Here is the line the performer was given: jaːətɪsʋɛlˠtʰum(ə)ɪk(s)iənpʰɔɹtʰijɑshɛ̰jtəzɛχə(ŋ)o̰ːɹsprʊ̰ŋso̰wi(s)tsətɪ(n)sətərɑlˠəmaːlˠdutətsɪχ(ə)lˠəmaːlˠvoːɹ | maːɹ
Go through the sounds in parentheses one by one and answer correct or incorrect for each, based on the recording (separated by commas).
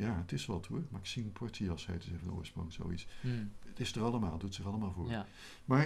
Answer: incorrect, correct, incorrect, incorrect, incorrect, incorrect